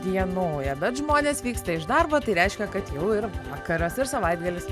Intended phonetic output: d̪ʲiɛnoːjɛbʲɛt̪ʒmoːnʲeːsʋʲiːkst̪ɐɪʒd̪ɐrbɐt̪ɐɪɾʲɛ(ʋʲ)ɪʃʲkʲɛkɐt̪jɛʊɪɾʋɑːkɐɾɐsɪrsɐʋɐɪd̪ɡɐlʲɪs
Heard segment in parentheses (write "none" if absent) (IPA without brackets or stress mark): none